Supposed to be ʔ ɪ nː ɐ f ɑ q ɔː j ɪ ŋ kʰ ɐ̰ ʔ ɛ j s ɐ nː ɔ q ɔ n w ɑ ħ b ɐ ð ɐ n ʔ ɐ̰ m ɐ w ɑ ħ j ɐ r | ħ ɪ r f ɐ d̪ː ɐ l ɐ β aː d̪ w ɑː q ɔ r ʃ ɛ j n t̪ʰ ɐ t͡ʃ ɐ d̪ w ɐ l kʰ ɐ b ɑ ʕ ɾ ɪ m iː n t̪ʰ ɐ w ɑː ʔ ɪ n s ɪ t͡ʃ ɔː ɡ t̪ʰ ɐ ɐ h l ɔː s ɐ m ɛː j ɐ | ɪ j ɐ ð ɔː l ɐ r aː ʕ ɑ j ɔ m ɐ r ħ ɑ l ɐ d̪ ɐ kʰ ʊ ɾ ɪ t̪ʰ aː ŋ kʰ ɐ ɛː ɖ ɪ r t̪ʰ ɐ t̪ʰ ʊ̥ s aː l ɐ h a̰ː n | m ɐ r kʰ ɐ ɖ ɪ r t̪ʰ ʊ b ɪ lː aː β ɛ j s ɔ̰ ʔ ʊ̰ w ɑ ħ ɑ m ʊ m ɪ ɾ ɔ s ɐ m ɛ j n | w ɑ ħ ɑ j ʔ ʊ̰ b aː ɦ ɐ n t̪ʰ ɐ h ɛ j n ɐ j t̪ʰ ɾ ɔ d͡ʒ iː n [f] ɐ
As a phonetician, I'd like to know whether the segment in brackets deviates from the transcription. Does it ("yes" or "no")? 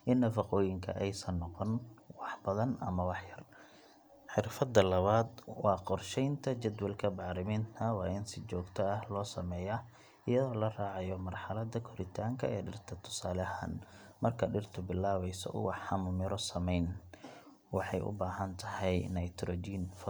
no